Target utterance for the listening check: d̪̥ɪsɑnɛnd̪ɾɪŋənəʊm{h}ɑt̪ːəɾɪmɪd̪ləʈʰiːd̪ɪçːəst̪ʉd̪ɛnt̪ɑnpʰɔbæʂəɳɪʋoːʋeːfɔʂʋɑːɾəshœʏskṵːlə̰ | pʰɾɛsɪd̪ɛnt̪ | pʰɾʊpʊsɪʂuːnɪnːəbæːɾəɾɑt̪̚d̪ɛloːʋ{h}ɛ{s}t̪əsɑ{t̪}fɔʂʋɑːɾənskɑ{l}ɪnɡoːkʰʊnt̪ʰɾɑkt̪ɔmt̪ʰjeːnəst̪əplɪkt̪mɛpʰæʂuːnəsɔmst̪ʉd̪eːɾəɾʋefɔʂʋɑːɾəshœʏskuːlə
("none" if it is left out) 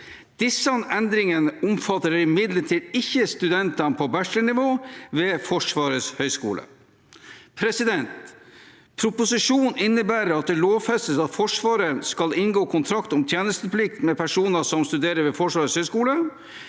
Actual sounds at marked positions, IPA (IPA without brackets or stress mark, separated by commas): f, f, s, t̪, l